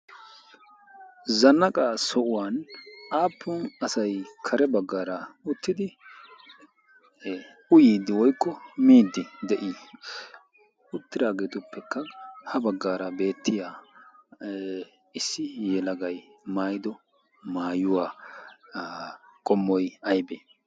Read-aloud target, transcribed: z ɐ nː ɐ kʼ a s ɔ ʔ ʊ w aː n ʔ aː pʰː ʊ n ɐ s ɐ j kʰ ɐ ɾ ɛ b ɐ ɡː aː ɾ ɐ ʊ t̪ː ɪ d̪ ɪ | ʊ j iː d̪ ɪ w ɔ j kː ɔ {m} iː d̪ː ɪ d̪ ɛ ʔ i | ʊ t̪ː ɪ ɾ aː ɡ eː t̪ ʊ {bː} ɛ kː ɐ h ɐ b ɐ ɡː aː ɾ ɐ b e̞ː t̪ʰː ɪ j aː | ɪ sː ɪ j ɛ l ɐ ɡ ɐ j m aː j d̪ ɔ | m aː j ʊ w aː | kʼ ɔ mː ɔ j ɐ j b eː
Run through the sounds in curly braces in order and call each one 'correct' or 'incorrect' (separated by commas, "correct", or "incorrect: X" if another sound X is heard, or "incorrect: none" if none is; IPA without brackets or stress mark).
correct, incorrect: pː